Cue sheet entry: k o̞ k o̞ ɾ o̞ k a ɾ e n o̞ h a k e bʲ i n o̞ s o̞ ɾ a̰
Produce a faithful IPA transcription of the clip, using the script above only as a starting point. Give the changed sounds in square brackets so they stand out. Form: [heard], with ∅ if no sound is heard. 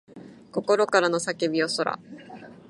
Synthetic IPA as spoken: k o̞ k o̞ ɾ o̞ k a ɾ [a] n o̞ [s] a k e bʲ i [∅] o̞ s o̞ ɾ a̰